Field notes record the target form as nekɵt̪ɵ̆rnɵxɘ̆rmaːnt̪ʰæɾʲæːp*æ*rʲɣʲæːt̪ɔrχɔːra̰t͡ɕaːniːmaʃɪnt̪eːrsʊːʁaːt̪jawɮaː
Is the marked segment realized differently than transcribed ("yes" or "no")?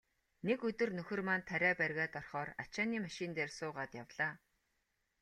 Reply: no